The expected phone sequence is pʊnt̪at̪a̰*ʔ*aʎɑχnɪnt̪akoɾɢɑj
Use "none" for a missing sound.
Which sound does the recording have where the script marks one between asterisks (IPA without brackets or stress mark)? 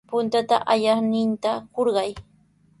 ʔ